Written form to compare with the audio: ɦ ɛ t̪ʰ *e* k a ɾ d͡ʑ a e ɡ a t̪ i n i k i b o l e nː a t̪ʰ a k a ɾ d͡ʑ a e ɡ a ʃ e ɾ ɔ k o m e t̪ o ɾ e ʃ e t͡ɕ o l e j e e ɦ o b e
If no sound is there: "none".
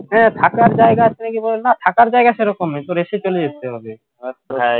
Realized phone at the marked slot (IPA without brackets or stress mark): a